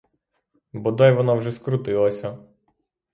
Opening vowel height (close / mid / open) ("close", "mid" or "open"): mid